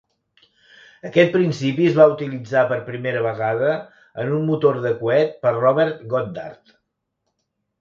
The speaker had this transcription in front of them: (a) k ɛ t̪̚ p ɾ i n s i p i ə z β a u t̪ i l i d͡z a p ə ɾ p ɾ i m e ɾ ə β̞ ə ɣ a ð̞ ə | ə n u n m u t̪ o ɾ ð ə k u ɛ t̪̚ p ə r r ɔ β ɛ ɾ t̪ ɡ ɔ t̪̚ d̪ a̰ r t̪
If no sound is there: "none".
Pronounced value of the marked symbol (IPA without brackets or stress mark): ə